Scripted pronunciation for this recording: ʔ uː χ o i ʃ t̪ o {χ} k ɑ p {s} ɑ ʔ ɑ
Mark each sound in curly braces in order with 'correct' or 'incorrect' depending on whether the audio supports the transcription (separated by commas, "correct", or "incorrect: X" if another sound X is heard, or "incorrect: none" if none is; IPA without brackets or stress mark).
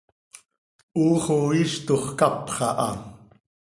correct, incorrect: χ